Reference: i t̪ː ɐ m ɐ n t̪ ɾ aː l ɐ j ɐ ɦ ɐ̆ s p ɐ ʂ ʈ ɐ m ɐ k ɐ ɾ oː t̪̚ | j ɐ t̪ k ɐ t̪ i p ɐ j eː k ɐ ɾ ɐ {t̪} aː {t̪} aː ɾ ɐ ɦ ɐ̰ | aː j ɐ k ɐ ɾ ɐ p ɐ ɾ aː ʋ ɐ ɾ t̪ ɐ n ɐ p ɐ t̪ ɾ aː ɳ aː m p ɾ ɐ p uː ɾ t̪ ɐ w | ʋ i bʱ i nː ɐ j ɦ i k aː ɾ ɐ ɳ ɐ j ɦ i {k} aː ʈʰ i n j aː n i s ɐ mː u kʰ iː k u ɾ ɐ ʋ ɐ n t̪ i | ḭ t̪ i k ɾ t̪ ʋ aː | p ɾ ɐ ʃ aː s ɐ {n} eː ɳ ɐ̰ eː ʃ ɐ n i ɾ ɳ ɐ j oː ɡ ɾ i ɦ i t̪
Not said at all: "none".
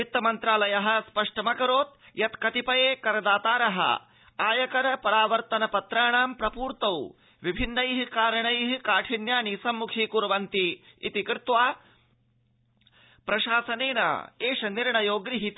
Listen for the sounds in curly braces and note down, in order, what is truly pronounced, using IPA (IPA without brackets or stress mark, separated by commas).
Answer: d̪, t̪, k, n